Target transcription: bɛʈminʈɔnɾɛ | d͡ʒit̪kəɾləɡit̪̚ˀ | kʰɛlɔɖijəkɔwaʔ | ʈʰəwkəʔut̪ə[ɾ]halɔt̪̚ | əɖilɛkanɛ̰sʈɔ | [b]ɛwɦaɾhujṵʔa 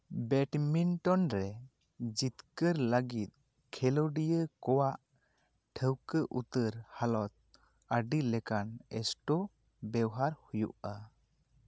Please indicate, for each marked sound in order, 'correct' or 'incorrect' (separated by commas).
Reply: correct, correct